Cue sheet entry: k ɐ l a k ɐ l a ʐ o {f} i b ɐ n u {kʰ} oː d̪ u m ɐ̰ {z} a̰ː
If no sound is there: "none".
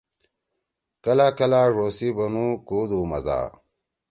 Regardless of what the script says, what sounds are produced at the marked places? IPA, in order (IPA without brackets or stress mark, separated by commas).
s, k, z